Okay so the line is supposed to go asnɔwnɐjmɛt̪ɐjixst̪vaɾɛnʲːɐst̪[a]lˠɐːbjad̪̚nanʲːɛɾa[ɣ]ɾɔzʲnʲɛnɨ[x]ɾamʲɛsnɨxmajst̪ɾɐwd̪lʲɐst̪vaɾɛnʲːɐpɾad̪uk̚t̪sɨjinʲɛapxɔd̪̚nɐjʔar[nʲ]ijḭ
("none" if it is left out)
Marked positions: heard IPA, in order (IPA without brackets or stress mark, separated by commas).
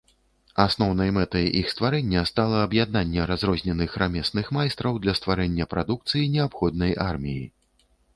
a, z, x, mʲ